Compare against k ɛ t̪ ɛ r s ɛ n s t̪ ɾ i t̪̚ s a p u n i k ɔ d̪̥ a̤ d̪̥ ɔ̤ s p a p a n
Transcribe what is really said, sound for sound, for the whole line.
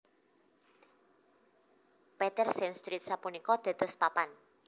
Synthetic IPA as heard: p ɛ t̪ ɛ r s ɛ n s t̪ ɾ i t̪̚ s a p u n i k ɔ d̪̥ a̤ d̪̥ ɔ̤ s p a p a n